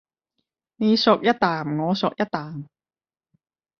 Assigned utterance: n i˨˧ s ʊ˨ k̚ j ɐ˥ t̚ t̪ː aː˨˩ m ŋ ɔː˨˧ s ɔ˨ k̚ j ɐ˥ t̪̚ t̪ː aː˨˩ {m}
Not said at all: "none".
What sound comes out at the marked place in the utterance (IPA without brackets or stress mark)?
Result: m